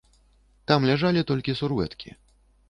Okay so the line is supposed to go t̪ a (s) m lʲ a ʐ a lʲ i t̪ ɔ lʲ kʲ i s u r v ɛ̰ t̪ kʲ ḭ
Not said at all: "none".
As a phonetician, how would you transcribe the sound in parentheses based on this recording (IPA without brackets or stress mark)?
none